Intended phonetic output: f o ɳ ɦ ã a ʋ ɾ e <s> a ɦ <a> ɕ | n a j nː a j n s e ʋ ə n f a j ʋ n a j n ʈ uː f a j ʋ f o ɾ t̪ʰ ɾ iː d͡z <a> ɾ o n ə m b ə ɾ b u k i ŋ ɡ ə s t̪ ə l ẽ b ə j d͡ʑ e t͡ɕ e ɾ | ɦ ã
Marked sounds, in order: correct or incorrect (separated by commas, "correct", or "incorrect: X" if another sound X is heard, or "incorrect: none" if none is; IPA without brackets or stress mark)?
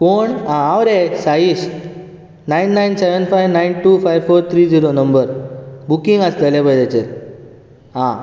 correct, incorrect: i, incorrect: i